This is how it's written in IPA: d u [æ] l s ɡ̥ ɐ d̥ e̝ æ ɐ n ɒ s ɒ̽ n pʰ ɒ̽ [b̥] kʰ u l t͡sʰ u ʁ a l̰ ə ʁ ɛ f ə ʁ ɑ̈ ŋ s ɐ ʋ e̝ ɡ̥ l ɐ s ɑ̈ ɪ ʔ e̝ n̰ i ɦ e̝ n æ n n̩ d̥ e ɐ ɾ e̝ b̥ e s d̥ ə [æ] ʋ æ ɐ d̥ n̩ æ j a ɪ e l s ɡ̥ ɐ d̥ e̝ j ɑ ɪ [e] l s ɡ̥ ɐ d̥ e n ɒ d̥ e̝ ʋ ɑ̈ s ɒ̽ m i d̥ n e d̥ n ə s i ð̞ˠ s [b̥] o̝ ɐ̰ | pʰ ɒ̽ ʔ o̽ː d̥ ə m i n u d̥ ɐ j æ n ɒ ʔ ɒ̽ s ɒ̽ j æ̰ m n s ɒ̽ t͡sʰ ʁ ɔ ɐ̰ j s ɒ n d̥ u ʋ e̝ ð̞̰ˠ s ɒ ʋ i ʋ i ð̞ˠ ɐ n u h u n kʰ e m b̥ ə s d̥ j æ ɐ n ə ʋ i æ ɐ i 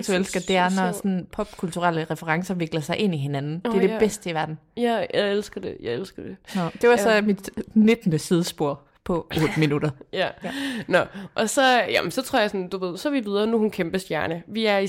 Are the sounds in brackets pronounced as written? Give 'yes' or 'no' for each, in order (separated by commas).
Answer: no, yes, no, yes, yes